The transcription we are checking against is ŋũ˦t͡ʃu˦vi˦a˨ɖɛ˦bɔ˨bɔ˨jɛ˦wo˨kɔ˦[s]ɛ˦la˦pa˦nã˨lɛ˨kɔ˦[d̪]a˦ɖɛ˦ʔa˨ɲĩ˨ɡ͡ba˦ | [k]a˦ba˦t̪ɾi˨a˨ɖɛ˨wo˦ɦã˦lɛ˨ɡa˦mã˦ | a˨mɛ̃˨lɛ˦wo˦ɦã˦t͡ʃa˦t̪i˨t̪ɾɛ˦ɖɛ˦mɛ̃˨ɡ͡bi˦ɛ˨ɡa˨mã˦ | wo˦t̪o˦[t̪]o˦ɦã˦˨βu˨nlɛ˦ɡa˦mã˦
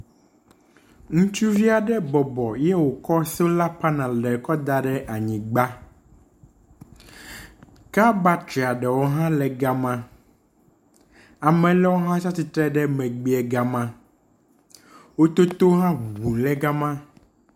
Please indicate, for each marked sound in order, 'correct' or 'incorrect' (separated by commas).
correct, correct, correct, correct